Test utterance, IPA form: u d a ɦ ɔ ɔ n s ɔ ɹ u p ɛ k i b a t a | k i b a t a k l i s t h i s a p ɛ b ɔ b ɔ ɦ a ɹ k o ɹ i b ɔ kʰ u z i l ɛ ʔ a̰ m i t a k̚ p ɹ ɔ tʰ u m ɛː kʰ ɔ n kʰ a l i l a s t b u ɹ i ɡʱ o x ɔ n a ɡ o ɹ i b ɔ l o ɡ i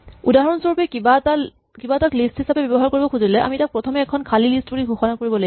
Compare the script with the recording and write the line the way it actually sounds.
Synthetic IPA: u d a ɦ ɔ ɔ n s ɔ ɹ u p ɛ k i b a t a | k i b a t a k l i s t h i s a p ɛ b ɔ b ɔ ɦ a ɹ k o ɹ i b ɔ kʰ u z i l ɛ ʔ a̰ m i t a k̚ p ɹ ɔ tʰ ɔ m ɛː kʰ ɔ n kʰ a l i l i s t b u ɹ i ɡʱ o x ɔ n a k o ɹ i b ɔ l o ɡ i

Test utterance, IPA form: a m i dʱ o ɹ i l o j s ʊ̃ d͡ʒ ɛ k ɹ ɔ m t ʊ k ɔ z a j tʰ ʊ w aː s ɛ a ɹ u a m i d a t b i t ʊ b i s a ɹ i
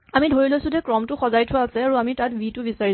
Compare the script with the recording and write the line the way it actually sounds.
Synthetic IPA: a m i dʱ o ɹ i l o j s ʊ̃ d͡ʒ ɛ k ɹ ɔ m t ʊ x ɔ z a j tʰ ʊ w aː s ɛ a ɹ u a m i t a t b i t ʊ b i s a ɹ i

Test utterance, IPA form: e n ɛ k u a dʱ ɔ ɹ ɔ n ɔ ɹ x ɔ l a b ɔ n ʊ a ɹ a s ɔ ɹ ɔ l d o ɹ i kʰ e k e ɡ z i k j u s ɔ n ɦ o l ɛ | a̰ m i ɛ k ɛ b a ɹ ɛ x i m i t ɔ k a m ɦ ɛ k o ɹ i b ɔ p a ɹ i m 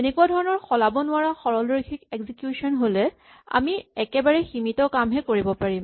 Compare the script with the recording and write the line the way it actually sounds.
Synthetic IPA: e n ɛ k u a dʱ ɔ ɹ ɔ n ɔ ɹ x ɔ l a b ɔ n ʊ a ɹ a x ɔ ɹ ɔ l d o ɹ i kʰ i k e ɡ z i k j u s ɔ n ɦ o l ɛ | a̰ m i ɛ k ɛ b a ɹ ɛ x i m i t ɔ k a m ɦ ɛ k o ɹ i b ɔ p a ɹ i m

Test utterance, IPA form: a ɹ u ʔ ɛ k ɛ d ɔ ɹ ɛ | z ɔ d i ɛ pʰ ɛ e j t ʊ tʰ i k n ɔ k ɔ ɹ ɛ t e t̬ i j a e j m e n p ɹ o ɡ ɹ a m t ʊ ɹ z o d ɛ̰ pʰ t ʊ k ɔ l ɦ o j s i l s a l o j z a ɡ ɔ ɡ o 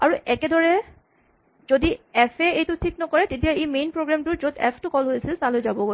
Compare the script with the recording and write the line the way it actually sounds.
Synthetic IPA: a ɹ u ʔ ɛ k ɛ d ɔ ɹ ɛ | z o d i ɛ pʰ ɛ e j t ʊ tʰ i k n ɔ k ɔ ɹ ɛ t e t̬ i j a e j m e n p ɹ o ɡ ɹ a m t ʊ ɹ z o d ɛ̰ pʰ t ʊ k ɔ l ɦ o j s i l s a l o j z a b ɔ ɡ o

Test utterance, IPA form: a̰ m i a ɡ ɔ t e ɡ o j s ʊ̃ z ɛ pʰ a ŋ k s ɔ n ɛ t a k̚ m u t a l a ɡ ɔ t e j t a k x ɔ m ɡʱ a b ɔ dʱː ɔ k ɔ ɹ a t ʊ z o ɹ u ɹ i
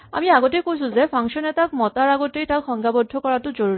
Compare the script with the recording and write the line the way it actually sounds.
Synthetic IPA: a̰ m i a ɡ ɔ t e k o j s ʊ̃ z ɛ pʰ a ŋ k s ɔ n ɛ t a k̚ m ɔ t a ɹ a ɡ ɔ t e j t a k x ɔ ŋ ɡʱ a b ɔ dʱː ɔ k ɔ ɹ a t ʊ z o ɹ u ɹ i

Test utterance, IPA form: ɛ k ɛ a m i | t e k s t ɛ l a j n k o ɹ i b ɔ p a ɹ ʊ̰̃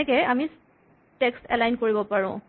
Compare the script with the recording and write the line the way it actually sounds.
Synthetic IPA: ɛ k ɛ a m i | t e k s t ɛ l a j n k o ɹ i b ɔ p a ɹ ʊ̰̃

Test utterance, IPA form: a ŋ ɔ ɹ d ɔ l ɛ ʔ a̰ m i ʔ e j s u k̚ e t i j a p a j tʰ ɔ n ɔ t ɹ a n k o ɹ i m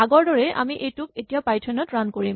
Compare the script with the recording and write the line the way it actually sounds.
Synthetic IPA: a ɡ ɔ ɹ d ɔ ɹ ɛ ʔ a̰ m i ʔ e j t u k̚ e t i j a p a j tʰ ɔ n ɔ t ɹ a n k o ɹ i m

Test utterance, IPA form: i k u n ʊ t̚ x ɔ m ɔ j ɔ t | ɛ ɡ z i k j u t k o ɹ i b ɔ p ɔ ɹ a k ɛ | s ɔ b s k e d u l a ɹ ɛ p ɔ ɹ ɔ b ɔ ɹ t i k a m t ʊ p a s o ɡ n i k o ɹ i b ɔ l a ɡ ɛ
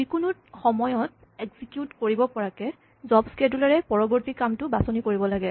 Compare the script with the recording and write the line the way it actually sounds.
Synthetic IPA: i k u n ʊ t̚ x ɔ m ɔ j ɔ t | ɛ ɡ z i k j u t k o ɹ i b ɔ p ɔ ɹ a k ɛ | z ɔ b s k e d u l a ɹ ɛ p ɔ ɹ ɔ b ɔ ɹ t i k a m t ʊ b a s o n i k o ɹ i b ɔ l a ɡ ɛ

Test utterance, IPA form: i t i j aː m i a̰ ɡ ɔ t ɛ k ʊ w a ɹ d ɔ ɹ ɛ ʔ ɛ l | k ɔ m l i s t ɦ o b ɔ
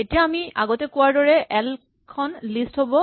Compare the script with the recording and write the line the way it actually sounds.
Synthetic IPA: e t i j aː m i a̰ ɡ ɔ t ɛ k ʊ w a ɹ d ɔ ɹ ɛ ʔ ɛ l | kʰ ɔ n l i s t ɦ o b ɔ

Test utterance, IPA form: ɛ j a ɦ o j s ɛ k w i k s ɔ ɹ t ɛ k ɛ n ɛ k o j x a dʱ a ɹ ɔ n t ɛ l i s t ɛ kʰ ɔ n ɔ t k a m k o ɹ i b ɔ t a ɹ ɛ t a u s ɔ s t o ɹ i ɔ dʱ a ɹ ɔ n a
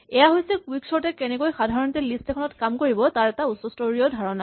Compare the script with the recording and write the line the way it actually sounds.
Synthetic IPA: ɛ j a ɦ o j s ɛ k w i k s ɔ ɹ t ɛ k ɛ n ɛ k o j x a dʱ a ɹ ɔ n t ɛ l i s t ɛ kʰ ɔ n ɔ t k a m k o ɹ i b ɔ t a ɹ ɛ t a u s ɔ s t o ɹ i ɔ dʱ a ɹ ɔ n a

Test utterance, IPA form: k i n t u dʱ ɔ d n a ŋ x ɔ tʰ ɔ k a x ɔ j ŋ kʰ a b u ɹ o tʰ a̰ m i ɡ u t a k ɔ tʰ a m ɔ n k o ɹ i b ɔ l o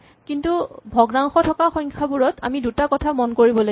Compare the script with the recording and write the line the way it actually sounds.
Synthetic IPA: k i n t u bʱ ɔ ɡ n a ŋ x ɔ tʰ ɔ k a x ɔ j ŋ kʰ a b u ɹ ɔ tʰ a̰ m i d u t a k ɔ tʰ a m ɔ n k o ɹ i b ɔ l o

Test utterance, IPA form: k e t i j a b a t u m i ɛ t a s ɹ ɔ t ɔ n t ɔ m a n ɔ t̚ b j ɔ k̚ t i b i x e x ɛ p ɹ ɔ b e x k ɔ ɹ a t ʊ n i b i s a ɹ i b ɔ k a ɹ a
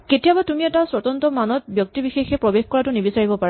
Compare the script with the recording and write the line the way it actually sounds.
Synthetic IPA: k e t i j a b a t u m i ɛ t a s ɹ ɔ t ɔ n t ɔ m a n ɔ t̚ b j ɔ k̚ t i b i x e x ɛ p ɹ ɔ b e x k ɔ ɹ a t ʊ n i b i s a ɹ i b ɔ p a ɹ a

